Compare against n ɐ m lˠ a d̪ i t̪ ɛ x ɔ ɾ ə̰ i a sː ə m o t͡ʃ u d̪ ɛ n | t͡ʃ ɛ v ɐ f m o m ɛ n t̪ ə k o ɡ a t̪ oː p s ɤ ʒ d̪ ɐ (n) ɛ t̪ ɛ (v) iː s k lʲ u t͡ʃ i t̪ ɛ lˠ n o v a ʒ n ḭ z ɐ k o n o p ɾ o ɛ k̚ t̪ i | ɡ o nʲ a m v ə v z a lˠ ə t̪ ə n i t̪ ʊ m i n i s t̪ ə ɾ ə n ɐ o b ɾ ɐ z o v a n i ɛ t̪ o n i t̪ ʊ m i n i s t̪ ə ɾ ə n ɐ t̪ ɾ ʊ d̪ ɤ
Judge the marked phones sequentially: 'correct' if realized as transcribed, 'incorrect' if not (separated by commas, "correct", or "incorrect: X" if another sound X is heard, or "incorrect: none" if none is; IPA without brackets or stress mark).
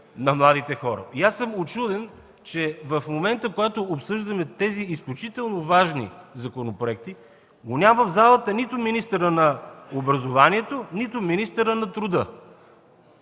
incorrect: m, incorrect: z